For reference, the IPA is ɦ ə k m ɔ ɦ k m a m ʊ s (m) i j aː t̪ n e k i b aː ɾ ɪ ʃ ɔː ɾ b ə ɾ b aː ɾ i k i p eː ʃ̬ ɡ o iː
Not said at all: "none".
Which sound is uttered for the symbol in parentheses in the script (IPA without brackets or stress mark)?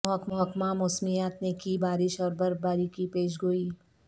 m